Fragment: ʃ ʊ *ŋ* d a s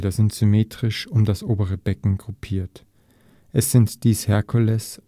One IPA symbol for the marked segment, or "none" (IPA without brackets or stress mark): m